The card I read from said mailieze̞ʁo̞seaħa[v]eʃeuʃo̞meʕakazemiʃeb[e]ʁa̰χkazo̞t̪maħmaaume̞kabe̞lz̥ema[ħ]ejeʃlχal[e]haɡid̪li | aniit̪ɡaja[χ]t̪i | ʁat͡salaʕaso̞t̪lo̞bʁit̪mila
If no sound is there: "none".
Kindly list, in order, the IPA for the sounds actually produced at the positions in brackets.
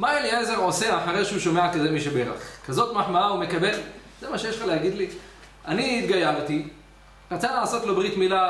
ʁ, e, ʃ, e, ʁ

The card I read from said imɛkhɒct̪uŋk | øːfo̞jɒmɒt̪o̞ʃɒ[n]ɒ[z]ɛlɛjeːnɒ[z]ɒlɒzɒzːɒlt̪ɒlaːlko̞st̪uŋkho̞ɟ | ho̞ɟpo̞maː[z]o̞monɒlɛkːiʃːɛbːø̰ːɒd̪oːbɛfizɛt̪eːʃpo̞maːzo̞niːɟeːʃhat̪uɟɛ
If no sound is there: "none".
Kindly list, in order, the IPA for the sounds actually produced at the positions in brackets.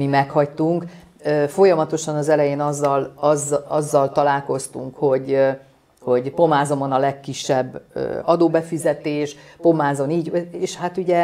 n, z, zː, z

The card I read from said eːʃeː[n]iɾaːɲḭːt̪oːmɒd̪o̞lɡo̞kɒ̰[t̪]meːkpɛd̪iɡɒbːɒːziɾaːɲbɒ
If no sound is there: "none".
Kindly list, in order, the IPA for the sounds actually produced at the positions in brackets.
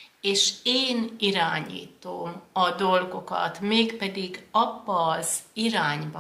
n, t̪

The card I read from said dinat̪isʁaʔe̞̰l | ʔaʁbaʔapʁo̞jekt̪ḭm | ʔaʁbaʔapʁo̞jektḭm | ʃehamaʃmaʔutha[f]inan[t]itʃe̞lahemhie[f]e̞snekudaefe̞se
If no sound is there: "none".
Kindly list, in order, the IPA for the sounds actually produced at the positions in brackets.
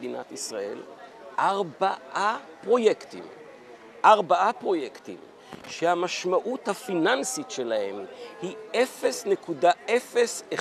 f, s, f

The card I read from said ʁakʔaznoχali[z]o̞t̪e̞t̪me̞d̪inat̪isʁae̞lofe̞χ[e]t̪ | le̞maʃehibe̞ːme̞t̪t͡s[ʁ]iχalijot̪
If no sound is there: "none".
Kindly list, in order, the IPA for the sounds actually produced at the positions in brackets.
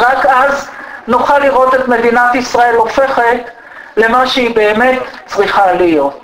ʁ, e, ʁ

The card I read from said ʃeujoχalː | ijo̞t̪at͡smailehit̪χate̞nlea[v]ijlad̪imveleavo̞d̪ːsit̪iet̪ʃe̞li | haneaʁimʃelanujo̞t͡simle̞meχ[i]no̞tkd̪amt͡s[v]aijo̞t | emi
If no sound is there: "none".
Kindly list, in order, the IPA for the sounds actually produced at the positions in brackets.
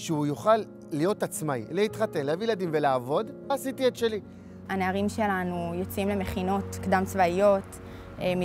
v, i, v

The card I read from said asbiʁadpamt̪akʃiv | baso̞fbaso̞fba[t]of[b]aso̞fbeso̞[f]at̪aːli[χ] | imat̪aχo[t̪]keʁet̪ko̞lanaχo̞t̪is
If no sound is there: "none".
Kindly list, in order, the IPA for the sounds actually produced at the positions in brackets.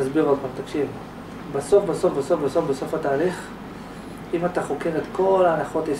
s, b, f, χ, none

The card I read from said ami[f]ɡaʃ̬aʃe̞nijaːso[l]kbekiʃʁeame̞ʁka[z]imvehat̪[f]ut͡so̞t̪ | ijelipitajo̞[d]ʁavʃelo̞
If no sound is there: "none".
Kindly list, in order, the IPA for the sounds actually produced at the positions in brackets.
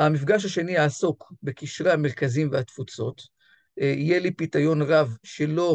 f, none, z, f, n

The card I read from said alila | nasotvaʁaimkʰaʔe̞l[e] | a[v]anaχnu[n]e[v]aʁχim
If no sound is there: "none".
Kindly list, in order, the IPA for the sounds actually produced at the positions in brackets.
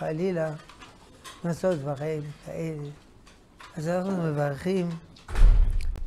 e, z, m, v

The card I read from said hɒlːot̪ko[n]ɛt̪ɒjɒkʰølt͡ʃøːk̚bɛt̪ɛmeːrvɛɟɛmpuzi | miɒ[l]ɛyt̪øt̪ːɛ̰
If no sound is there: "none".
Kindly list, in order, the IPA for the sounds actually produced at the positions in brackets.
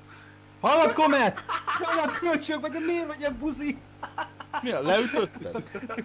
m, l

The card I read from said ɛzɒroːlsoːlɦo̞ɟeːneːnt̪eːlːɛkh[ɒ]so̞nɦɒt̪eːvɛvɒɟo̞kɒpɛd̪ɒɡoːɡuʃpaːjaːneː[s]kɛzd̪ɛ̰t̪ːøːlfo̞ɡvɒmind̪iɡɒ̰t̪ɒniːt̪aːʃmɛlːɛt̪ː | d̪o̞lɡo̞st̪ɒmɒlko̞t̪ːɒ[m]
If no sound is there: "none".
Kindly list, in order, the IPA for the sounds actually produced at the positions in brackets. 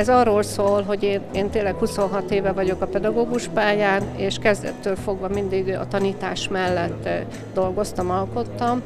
u, ʃ, m

